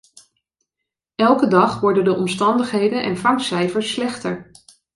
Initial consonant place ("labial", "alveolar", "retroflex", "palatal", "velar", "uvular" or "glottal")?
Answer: alveolar